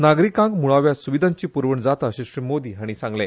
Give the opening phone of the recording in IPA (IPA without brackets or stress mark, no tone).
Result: n